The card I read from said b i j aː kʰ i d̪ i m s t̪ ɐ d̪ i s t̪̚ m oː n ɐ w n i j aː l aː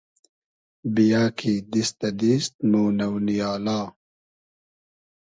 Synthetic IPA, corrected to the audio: b i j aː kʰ i d̪ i s t̪ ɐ d̪ i s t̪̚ m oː n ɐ w n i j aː l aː